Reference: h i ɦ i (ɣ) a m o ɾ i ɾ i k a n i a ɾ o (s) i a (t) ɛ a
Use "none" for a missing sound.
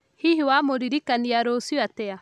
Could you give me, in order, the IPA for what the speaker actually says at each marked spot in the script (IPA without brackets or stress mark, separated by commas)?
w, s, t